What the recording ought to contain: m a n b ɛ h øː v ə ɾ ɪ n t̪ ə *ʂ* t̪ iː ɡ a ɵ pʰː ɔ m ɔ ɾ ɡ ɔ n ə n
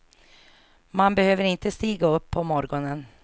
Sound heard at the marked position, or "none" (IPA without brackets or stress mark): s